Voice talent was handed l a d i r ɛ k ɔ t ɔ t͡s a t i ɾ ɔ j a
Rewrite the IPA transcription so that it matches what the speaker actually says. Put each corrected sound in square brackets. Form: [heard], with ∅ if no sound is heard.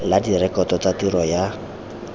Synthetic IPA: l a d i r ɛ k ɔ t ɔ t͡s a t i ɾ ɔ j a